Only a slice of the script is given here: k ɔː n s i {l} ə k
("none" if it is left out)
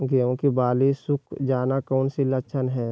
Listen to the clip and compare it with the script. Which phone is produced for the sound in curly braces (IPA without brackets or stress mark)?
l